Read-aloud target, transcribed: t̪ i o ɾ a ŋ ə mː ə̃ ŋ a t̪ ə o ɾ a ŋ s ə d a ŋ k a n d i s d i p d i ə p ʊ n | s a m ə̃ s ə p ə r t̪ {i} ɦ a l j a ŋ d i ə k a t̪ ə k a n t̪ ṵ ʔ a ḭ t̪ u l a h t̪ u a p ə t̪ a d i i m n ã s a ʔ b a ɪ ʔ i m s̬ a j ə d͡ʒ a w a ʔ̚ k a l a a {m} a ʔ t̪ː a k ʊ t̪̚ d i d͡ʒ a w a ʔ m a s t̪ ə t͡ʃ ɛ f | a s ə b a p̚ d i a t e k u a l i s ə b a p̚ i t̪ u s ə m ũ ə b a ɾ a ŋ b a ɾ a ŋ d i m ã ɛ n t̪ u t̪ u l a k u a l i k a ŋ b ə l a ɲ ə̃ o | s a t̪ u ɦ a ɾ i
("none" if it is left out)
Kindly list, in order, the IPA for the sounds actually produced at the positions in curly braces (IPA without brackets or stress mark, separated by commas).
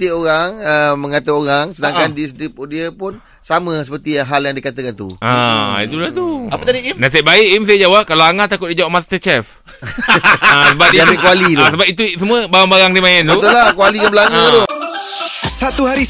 i, ŋ